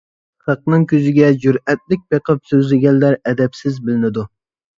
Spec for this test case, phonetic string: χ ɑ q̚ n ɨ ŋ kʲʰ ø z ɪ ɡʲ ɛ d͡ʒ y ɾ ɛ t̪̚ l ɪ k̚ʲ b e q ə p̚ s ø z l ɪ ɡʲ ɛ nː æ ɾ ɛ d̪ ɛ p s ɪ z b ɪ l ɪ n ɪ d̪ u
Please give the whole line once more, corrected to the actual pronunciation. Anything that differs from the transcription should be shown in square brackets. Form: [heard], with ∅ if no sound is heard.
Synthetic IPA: χ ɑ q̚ n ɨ ŋ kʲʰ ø z ɪ ɡʲ ɛ d͡ʒ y ɾ ɛ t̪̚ l ɪ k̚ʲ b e q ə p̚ s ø z l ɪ ɡʲ ɛ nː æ ɾ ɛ d̪ ɛ p s ɪ z b ɪ l ɪ n ɪ d̪ u